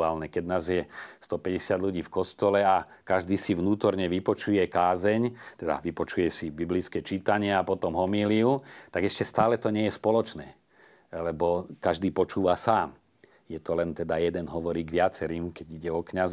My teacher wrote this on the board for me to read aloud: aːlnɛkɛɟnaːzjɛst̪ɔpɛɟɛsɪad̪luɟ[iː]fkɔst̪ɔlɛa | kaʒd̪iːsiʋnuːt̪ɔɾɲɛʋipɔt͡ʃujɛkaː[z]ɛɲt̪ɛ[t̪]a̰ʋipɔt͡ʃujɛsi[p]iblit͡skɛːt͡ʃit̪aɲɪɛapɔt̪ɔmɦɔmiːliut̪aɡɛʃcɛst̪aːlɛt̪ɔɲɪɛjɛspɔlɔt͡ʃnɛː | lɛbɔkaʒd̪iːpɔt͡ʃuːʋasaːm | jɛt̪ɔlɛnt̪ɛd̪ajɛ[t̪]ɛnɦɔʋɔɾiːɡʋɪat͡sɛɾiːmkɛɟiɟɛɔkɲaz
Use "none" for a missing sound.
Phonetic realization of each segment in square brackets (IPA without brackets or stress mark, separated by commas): iː, z, d̪, b, d̪